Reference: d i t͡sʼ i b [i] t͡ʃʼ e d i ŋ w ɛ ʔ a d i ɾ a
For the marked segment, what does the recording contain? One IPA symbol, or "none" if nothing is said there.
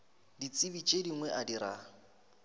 i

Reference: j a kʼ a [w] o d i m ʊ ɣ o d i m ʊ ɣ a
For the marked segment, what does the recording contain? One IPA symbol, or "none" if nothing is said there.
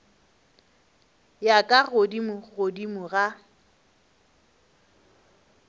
ɣ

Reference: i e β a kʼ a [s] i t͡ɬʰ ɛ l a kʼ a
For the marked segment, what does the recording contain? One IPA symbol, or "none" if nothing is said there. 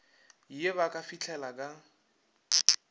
f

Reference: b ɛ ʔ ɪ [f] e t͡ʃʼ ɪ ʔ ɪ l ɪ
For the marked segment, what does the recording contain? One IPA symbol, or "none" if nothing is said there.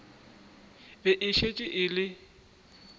ʃ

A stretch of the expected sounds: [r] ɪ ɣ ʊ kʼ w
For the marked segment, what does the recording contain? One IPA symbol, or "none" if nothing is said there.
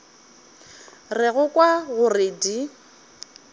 r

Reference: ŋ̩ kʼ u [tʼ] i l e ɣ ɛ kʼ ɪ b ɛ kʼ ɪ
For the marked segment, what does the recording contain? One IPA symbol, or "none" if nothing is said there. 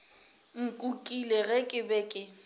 kʼ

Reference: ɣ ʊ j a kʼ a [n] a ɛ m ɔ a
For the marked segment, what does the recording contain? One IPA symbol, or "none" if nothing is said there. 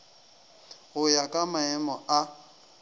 m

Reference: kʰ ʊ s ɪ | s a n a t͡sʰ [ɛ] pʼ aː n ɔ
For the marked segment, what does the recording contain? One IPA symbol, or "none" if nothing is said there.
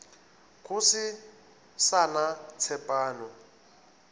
ɛ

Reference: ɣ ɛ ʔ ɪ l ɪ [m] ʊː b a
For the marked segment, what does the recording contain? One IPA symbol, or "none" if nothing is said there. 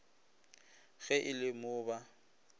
m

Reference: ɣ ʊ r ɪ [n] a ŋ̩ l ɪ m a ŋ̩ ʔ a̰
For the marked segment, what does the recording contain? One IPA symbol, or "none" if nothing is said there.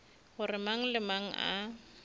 m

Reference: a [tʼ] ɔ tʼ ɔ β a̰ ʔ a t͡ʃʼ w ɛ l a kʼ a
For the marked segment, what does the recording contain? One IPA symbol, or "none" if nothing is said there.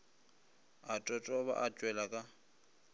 tʼ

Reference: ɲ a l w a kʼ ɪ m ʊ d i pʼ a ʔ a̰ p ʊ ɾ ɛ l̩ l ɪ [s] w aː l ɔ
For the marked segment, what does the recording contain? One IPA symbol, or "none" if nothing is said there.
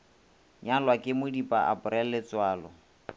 t͡s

